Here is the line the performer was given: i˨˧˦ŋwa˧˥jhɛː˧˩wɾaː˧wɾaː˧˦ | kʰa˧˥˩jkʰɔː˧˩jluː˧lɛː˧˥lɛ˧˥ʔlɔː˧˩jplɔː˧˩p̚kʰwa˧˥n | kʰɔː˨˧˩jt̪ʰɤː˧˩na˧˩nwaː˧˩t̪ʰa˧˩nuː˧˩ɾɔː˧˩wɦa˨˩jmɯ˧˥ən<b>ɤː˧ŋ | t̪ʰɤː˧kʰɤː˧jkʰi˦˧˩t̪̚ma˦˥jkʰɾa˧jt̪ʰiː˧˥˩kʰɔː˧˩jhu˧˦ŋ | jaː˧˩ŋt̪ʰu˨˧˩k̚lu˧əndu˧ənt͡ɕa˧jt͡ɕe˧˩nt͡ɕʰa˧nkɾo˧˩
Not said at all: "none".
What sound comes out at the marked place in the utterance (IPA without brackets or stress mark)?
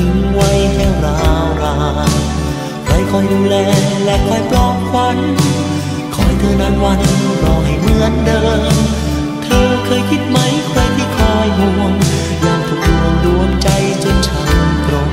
d